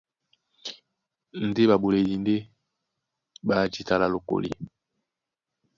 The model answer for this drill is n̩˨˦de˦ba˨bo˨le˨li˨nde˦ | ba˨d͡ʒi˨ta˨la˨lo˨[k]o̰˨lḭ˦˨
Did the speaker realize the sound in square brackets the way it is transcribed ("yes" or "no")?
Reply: yes